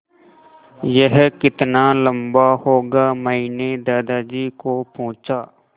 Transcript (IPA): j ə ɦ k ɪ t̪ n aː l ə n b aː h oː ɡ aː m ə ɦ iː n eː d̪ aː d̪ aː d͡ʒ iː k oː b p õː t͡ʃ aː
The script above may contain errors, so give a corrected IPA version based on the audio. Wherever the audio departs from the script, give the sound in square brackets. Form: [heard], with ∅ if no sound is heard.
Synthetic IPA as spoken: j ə ɦ k ɪ t̪ n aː l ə [m] b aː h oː ɡ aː m ə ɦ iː n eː d̪ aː d̪ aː d͡ʒ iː k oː [∅] p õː t͡ʃ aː